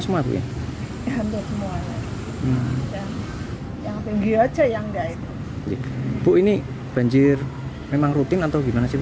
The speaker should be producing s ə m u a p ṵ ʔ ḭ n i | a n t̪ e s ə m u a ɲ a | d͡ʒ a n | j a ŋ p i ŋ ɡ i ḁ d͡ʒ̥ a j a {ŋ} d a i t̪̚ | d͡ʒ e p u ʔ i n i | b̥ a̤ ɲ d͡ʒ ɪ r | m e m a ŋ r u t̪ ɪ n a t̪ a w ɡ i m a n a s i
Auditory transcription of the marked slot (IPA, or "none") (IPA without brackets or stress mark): ŋ